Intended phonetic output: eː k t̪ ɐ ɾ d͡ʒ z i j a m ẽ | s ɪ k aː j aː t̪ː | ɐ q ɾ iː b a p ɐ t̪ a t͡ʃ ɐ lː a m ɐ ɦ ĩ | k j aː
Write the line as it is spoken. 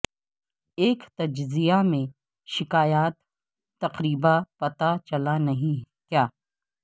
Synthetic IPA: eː k t̪ ɐ d͡ʒ z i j a m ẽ | ʃ ɪ k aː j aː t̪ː | ɐ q ɾ iː b a p ɐ t̪ a t͡ʃ ɐ l a n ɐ ɦ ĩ | k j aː